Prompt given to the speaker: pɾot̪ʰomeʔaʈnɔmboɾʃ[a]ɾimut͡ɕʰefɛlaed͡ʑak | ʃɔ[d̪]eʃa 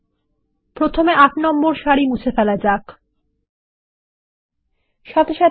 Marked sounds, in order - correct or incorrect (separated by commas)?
correct, incorrect